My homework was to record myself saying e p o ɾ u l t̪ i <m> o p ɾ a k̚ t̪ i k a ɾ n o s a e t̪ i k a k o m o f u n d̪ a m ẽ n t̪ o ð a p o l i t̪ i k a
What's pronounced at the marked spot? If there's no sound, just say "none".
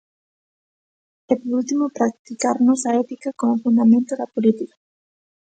m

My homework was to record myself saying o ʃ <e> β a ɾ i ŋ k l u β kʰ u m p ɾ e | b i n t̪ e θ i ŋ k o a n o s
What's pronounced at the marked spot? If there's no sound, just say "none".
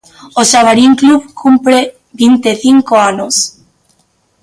a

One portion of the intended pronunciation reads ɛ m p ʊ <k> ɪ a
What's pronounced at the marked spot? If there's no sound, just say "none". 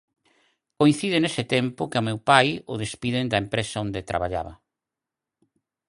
k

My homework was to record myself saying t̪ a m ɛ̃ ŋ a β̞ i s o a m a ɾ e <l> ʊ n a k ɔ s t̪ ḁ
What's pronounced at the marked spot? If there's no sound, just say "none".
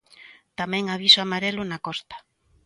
l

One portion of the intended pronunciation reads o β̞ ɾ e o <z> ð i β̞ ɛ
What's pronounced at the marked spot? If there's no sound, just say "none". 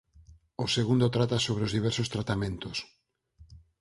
z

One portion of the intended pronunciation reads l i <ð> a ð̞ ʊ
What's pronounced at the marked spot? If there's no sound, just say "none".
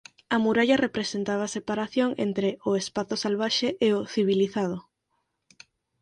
θ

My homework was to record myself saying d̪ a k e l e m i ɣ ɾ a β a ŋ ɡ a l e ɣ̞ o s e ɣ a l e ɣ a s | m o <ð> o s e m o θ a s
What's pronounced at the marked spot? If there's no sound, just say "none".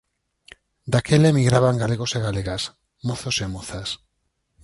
θ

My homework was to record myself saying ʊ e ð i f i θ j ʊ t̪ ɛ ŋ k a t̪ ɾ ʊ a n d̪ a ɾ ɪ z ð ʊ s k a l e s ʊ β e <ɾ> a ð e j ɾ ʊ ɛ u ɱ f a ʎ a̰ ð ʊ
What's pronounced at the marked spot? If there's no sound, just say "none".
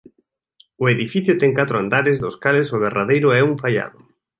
r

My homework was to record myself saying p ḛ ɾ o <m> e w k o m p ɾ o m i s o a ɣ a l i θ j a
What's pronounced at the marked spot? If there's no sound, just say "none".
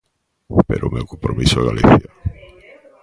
m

